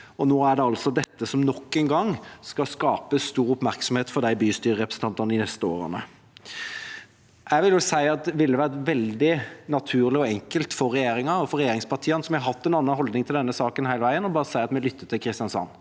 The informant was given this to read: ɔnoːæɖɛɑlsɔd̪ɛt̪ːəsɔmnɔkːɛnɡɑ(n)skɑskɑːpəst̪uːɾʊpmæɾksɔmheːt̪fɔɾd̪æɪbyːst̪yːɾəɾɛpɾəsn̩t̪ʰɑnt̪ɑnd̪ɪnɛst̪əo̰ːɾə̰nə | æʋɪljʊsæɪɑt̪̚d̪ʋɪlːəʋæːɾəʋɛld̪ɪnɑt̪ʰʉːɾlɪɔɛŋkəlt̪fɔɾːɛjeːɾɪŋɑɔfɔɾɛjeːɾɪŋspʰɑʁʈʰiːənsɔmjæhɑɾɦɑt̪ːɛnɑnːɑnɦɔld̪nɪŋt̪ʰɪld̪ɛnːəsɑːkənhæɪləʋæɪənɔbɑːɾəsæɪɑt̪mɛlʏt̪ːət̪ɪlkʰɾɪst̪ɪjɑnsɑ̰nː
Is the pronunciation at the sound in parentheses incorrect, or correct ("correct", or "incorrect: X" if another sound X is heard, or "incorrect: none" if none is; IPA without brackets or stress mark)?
incorrect: ŋ